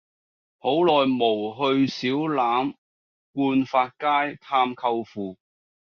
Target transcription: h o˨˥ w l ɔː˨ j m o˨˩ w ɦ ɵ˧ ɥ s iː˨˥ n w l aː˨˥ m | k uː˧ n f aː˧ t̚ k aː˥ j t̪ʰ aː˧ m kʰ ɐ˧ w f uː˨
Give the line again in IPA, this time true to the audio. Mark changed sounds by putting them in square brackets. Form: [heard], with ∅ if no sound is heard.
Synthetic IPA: h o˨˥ w l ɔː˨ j m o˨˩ w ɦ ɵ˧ ɥ s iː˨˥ [∅] w l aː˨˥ m | k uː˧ n f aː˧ t̚ k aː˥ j t̪ʰ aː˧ m kʰ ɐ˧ w f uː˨